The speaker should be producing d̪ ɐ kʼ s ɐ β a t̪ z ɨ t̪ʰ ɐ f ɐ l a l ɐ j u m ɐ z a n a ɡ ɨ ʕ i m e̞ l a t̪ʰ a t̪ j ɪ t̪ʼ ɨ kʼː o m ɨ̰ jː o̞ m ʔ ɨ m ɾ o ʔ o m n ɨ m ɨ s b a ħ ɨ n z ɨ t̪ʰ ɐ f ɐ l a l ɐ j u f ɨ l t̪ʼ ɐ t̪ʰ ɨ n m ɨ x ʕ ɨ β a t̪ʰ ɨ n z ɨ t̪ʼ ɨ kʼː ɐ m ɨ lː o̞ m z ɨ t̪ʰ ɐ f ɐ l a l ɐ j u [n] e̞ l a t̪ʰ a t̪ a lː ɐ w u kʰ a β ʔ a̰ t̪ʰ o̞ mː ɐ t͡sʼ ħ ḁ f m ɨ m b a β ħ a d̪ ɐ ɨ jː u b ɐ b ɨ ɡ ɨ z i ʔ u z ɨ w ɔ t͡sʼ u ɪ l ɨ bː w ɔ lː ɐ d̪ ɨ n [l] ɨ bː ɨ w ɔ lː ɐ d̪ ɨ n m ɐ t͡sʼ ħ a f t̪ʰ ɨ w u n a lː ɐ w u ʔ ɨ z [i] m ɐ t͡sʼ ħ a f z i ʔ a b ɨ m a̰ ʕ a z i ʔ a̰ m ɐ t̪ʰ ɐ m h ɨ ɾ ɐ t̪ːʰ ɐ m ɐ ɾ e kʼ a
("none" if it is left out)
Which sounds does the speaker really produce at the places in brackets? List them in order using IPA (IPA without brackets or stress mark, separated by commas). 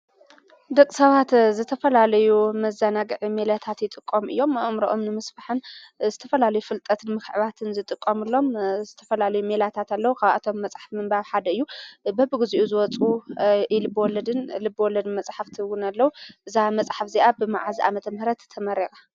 m, l, a